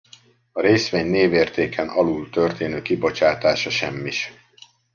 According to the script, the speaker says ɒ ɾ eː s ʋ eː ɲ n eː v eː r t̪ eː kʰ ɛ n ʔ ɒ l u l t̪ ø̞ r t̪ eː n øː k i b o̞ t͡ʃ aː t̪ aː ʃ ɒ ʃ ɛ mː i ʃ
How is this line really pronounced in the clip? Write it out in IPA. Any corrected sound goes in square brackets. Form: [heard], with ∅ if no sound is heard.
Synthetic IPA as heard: ɒ ɾ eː s ʋ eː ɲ n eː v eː r t̪ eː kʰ ɛ n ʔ ɒ l u l t̪ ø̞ r t̪ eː n øː k i b o̞ t͡ʃ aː t̪ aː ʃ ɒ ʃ ɛ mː i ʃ